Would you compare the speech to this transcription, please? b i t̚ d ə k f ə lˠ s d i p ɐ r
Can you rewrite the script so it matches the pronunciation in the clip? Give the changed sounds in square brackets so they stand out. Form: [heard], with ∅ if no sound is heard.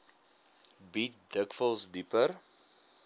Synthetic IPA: b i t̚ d ə k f ə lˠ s d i p [ə] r